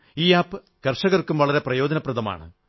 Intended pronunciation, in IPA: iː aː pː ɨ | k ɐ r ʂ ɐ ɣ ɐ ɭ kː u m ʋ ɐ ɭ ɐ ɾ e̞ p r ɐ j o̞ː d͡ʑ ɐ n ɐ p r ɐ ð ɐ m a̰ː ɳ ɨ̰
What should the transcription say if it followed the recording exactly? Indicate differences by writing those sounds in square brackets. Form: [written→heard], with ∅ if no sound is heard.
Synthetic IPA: iː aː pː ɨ | k ɐ r ʂ ɐ ɣ ɐ [ɭ→r] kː u m ʋ ɐ ɭ ɐ ɾ e̞ p r ɐ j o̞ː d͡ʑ ɐ n ɐ p r ɐ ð ɐ m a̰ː ɳ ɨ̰